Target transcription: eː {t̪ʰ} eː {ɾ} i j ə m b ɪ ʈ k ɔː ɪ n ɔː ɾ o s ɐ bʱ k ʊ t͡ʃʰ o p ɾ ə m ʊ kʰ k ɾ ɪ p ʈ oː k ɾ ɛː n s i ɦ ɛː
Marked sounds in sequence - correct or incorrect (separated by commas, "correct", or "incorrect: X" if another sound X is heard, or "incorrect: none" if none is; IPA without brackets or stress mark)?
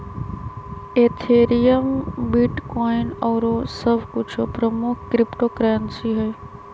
correct, correct